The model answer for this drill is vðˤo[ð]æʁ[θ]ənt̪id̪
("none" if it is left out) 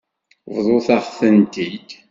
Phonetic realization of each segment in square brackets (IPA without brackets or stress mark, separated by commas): θ, θ